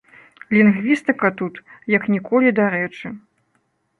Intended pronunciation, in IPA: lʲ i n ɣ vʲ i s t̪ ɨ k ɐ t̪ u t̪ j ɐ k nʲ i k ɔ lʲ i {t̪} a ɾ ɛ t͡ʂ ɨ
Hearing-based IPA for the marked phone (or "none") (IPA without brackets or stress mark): d̪